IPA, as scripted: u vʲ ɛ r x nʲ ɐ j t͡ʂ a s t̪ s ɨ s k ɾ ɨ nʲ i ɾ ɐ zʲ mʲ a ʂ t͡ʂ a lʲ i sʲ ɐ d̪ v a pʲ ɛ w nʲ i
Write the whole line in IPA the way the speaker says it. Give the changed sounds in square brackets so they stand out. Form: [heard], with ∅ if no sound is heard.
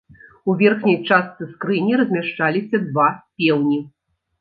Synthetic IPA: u vʲ ɛ r x nʲ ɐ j t͡ʂ a s t̪ s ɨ s k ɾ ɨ nʲ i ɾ ɐ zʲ mʲ a ʂ t͡ʂ a lʲ i sʲ ɐ d̪ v a pʲ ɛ w nʲ i